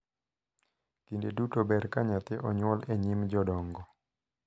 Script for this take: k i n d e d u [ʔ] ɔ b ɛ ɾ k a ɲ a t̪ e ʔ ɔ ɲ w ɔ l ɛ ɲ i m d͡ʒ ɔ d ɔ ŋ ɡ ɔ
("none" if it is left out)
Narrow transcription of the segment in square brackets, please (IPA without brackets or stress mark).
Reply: t